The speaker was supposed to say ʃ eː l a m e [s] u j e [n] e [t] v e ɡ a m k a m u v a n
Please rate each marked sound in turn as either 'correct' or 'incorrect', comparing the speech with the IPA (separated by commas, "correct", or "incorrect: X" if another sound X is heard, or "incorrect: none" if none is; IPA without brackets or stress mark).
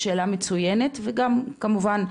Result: incorrect: t͡s, correct, correct